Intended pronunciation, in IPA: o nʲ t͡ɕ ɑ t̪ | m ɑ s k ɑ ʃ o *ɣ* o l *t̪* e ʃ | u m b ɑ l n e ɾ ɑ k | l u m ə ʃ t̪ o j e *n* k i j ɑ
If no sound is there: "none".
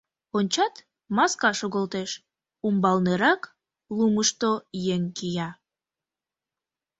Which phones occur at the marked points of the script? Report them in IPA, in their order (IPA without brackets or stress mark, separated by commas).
ɣ, t̪, ŋ